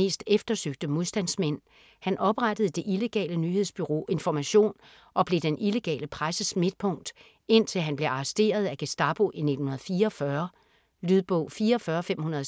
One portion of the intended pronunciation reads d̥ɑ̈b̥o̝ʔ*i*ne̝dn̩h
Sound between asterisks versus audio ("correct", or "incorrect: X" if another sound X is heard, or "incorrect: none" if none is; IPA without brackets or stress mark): correct